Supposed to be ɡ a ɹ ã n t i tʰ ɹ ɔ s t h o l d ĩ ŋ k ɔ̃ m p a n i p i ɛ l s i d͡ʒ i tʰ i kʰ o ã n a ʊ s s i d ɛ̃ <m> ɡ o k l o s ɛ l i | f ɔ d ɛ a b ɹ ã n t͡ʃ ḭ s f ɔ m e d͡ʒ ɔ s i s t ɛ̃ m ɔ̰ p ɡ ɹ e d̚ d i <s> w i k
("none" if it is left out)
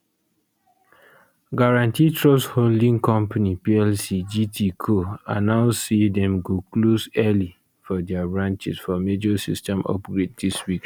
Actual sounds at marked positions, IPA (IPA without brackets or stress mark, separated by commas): m, s